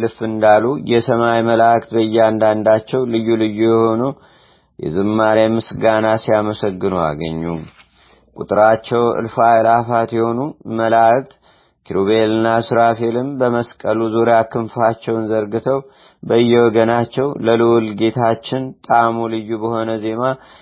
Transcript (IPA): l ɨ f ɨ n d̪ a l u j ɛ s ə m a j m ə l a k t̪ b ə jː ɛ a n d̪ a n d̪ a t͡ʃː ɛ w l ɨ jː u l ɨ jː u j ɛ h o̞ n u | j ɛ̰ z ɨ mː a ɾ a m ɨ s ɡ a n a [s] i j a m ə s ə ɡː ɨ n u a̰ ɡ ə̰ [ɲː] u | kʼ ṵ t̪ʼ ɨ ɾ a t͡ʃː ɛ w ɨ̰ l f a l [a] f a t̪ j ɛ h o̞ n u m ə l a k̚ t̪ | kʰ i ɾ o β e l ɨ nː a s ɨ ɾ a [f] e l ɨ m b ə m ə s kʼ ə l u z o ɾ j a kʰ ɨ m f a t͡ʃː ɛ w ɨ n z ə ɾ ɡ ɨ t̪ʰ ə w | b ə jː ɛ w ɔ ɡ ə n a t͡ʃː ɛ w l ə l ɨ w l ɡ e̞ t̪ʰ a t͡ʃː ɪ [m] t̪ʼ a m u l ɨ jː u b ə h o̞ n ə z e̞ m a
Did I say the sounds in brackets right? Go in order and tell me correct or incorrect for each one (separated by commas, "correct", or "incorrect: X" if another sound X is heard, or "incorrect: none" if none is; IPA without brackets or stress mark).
correct, correct, correct, correct, incorrect: n